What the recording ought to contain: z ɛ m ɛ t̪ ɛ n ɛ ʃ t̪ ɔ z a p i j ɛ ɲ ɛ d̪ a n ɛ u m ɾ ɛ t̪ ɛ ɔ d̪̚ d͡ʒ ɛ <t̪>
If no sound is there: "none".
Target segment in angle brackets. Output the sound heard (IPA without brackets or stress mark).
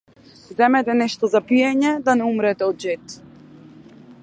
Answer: t̪